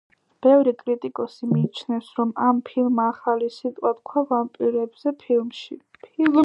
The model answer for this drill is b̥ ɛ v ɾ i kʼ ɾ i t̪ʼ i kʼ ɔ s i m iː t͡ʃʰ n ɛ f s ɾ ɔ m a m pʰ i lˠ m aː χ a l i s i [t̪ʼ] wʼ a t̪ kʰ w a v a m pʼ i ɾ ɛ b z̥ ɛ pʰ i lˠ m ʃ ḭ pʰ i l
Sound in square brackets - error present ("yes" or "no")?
no